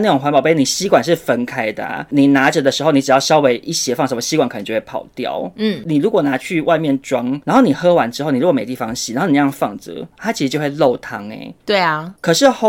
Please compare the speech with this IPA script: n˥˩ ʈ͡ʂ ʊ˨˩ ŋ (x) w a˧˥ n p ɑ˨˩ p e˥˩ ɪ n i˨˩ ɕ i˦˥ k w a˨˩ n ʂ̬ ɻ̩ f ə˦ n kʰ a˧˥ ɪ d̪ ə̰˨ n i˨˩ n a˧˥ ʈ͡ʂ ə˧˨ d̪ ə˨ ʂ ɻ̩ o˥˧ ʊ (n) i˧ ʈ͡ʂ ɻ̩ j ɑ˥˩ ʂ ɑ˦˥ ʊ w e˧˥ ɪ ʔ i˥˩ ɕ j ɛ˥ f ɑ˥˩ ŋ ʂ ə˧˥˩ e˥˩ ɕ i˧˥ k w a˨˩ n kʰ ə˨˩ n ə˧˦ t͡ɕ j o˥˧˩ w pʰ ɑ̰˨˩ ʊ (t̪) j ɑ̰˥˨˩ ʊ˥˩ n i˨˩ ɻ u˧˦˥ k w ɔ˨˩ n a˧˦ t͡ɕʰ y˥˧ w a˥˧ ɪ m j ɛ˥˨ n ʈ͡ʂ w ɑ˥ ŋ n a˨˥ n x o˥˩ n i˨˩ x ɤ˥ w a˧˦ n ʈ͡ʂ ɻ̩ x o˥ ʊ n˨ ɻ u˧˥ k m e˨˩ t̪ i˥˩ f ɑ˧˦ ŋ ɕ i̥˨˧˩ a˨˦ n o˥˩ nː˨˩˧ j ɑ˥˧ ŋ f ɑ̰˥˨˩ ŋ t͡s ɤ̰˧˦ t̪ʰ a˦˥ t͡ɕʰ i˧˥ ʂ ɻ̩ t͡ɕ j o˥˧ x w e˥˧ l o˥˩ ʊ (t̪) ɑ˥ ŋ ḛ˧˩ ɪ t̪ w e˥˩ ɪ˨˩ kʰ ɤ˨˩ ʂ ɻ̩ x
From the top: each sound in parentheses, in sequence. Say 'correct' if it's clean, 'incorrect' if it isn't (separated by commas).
correct, correct, correct, incorrect